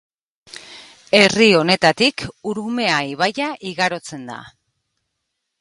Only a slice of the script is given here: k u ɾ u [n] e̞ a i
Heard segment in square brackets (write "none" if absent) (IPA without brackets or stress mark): m